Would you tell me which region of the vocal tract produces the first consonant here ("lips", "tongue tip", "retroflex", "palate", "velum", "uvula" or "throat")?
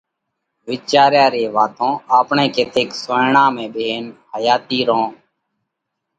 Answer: lips